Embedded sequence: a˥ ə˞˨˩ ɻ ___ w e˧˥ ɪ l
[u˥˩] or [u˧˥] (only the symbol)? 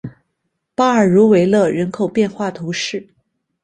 u˧˥